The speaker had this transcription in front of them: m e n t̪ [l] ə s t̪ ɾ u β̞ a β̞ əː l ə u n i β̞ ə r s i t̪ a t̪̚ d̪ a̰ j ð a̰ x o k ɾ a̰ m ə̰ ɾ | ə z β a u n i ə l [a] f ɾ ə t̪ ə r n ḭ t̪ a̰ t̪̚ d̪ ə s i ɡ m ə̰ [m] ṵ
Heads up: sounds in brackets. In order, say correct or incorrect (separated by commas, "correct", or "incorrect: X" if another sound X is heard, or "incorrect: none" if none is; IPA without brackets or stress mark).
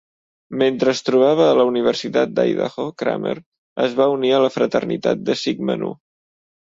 incorrect: ɾ, incorrect: ə, incorrect: n